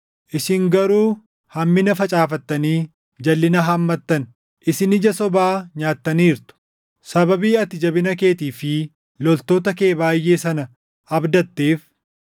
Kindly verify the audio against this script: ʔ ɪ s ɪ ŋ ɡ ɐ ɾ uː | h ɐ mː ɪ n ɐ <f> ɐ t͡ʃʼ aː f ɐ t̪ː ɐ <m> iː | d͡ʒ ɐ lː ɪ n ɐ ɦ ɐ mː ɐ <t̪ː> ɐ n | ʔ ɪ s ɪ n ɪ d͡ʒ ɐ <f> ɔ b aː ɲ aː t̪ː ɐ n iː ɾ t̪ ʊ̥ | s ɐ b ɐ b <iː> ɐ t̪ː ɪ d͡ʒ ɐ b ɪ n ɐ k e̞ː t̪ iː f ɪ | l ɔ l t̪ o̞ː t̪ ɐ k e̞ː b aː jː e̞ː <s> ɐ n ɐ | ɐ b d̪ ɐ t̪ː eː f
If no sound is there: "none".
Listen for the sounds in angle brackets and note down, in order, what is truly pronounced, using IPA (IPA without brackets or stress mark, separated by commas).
f, n, t̪ː, s, iː, s